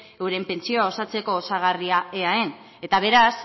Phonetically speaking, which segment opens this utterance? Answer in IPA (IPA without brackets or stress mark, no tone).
e